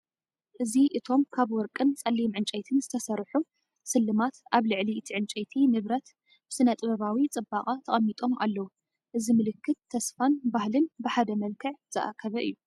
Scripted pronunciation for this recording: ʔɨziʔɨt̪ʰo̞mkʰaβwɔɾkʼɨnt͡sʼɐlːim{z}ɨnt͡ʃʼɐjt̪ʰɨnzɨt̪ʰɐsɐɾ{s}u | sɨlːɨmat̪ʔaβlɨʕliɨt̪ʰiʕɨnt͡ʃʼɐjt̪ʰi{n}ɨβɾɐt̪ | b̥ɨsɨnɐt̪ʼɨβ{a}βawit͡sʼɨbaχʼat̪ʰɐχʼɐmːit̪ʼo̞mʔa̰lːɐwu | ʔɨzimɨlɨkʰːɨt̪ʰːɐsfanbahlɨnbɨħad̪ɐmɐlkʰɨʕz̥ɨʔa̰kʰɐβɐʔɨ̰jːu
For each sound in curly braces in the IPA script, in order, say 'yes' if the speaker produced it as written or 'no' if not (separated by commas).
no, no, yes, no